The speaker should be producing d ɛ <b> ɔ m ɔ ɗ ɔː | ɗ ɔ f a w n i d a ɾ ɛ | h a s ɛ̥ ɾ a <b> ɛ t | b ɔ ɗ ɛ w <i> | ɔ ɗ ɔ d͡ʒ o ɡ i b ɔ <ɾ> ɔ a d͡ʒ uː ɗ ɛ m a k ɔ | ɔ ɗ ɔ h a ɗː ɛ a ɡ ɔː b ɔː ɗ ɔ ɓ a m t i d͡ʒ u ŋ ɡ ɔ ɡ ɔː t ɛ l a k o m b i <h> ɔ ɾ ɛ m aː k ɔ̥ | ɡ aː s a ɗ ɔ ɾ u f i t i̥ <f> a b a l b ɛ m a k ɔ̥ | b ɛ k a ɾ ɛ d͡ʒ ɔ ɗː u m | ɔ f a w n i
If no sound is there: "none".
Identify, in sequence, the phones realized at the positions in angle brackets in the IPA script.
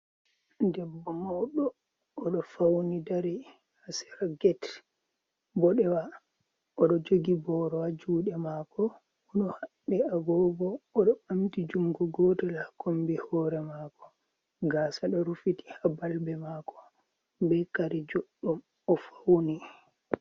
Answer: bː, ɡ, a, ɾ, h, h

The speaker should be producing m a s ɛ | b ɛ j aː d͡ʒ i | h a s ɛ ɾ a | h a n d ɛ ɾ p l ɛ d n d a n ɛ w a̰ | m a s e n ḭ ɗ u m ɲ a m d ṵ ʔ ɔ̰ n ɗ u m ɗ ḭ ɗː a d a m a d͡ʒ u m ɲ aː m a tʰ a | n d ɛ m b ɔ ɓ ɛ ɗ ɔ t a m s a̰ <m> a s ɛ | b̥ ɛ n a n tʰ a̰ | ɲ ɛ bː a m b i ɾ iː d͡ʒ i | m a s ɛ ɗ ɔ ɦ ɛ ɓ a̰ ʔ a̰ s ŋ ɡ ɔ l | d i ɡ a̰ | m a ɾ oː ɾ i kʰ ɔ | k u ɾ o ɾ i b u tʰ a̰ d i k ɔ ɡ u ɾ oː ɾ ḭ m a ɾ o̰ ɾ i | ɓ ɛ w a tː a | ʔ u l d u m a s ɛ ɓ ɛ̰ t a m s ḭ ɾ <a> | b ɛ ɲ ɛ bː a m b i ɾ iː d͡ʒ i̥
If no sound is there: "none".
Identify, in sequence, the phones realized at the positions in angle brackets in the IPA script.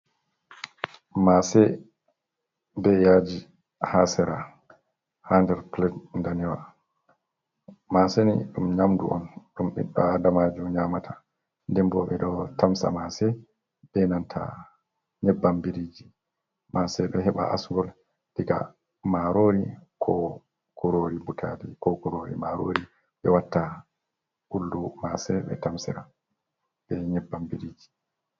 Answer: m, a

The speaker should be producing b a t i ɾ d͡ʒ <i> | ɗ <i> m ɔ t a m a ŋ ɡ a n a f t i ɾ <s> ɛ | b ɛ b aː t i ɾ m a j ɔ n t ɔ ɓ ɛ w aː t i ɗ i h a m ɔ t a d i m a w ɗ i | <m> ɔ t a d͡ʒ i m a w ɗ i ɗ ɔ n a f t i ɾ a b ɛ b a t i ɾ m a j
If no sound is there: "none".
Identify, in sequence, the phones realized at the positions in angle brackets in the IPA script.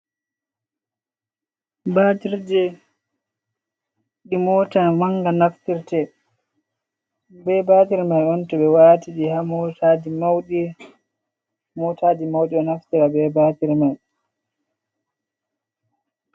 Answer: ɛ, i, t, m

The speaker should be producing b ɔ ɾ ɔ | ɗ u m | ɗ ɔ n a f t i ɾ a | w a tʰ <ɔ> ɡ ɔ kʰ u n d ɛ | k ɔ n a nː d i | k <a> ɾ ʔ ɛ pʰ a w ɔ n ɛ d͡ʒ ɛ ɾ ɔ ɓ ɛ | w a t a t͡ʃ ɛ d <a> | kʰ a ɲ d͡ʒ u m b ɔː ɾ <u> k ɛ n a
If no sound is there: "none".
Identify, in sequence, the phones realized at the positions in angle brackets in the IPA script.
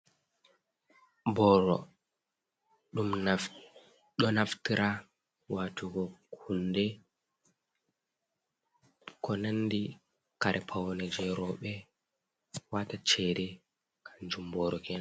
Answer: u, a, ɛ, ɔ

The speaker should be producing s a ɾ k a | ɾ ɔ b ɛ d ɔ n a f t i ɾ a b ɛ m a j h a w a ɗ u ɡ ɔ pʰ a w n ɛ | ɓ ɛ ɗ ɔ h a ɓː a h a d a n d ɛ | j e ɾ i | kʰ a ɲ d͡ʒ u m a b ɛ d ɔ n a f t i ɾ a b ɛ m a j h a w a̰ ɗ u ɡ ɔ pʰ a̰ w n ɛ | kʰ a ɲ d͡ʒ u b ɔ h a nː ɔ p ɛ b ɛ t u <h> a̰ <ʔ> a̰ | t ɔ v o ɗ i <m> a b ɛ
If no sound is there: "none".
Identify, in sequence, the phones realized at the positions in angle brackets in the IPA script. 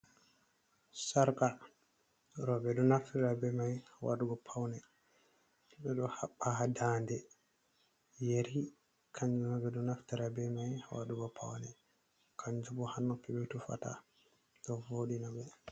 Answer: f, t, n

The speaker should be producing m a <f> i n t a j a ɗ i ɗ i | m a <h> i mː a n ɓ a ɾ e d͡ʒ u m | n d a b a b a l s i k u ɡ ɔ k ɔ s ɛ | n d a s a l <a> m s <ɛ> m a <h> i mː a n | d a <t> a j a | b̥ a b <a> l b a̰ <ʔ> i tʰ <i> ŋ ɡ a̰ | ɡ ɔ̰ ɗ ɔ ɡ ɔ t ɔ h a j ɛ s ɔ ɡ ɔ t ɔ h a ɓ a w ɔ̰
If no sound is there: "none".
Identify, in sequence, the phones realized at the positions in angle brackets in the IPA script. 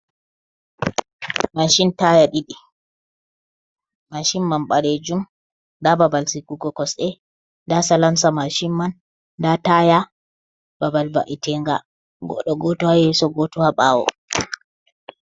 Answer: ʃ, ʃ, a, a, ʃ, t, a, ʔ, ɛ

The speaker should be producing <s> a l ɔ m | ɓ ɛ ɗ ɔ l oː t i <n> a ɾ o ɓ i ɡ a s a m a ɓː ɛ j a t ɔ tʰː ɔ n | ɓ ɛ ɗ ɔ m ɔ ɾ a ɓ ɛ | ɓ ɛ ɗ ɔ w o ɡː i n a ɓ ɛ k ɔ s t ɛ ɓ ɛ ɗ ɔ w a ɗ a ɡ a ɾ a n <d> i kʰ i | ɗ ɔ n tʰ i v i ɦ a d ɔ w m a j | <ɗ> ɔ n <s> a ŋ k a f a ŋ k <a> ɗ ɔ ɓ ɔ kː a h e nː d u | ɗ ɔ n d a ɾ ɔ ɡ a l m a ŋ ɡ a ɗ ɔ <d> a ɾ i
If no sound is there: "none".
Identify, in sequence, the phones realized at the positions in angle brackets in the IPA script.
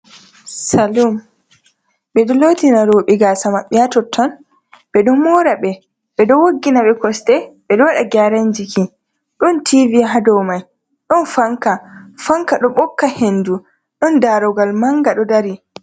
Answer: s, n, d͡ʒ, ɗ, f, a, d

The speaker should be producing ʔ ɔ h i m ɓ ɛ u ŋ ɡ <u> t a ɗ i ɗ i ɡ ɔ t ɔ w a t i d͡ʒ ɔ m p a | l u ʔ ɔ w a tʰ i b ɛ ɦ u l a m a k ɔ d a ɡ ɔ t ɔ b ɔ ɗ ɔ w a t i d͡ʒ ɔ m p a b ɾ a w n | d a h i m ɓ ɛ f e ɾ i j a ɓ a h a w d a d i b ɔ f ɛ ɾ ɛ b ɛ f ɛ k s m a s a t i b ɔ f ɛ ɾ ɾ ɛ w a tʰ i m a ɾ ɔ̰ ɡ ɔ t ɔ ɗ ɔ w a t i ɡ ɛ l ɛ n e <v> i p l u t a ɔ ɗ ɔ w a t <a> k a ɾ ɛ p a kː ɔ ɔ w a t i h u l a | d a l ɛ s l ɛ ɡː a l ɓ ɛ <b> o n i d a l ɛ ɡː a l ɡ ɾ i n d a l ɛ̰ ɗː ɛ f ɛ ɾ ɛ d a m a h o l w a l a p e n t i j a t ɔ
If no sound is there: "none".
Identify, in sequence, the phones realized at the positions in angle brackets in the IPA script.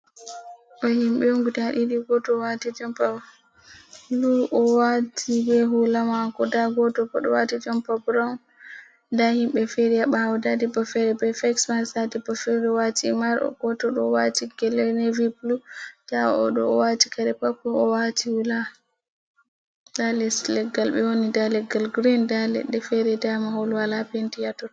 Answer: u, v, i, w

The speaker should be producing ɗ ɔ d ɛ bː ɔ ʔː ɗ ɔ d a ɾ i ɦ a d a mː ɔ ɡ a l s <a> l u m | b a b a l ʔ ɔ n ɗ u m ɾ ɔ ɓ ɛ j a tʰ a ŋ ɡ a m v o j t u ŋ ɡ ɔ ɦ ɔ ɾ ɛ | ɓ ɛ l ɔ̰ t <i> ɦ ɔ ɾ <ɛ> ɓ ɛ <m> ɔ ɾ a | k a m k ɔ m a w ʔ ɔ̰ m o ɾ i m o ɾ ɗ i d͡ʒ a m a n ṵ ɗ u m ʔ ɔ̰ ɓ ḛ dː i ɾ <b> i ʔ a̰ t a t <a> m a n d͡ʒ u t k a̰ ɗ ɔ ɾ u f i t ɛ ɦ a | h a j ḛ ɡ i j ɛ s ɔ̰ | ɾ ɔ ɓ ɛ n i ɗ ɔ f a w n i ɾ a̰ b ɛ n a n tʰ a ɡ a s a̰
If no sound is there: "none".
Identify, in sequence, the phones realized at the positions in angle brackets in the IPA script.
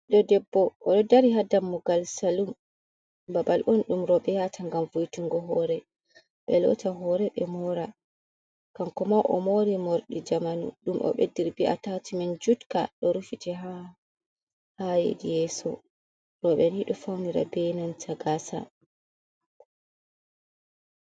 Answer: a, a, ɛ, m, b, i

